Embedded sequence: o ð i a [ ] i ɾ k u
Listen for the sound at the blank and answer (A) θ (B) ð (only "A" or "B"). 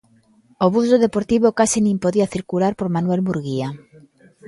A